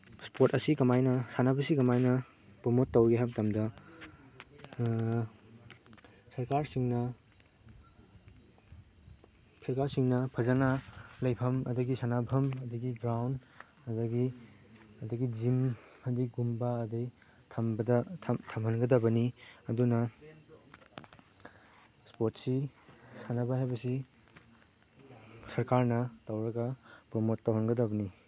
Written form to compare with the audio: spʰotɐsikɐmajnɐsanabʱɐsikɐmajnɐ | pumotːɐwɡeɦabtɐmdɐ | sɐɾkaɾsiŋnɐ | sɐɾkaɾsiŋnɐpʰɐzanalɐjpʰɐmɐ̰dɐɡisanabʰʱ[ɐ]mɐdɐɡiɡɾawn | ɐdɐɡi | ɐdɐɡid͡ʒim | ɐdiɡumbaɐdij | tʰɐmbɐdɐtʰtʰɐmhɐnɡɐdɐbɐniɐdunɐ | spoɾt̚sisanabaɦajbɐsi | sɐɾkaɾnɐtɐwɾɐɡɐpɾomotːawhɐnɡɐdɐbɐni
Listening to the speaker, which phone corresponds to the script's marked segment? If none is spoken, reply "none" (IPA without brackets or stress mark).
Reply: ɐ